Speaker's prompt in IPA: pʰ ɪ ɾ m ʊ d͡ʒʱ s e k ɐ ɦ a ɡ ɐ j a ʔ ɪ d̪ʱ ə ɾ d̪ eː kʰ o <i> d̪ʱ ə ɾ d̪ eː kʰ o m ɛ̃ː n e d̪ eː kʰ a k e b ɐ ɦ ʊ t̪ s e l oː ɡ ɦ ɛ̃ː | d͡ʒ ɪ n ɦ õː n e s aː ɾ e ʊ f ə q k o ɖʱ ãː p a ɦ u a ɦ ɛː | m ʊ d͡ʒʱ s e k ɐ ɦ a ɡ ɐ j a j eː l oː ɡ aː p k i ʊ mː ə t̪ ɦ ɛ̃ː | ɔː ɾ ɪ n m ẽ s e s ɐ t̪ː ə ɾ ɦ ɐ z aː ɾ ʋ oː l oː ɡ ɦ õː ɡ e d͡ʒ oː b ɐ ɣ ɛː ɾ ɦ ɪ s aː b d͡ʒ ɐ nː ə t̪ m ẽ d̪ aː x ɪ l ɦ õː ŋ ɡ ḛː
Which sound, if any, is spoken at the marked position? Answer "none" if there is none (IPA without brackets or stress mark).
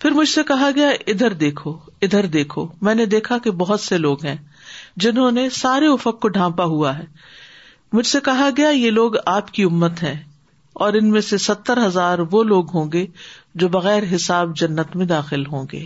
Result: ɪ